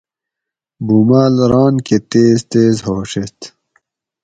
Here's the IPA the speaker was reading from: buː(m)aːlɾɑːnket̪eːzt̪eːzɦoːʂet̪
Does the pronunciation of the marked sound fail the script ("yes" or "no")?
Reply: no